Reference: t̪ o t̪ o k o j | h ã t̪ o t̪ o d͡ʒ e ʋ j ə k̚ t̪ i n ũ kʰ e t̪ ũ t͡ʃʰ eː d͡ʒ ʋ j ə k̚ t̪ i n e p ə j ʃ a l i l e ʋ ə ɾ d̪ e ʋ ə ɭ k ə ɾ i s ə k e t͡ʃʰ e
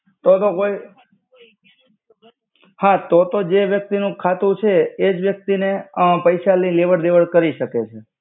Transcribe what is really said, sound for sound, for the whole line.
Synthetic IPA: t̪ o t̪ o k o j | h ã t̪ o t̪ o d͡ʒ e ʋ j ə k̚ t̪ i n ũ kʰ a t̪ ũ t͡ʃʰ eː d͡ʒ ʋ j ə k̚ t̪ i n e p ə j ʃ a l i l e ʋ ə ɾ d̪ e ʋ ə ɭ k ə ɾ i ʃ ə k e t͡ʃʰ e